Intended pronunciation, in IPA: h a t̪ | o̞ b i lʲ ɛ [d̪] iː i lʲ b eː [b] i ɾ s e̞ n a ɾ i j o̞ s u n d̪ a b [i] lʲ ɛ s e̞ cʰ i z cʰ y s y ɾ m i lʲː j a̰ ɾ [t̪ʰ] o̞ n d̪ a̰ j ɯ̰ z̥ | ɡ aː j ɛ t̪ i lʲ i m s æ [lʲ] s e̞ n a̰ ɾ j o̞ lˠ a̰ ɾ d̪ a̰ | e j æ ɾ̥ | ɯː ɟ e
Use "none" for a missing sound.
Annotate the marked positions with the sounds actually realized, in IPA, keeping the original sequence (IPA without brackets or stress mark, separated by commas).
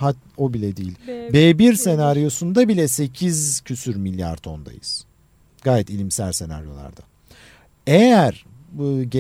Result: d̪, b, i, t̪ʰ, lʲ